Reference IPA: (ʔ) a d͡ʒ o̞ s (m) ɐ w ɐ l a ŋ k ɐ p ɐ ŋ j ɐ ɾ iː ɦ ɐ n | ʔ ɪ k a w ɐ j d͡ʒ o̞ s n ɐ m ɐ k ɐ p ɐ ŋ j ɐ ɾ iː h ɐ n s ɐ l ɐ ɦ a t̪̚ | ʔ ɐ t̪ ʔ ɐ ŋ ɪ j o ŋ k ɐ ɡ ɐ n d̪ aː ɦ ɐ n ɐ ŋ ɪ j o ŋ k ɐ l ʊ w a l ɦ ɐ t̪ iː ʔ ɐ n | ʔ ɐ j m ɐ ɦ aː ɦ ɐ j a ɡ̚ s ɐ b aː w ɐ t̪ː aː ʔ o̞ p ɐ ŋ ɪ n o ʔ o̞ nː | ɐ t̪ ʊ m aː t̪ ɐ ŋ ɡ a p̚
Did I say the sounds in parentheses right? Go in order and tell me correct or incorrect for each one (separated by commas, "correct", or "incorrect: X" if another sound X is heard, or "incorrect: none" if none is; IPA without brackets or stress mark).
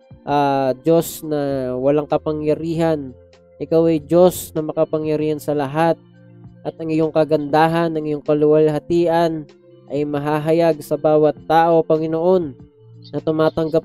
correct, incorrect: n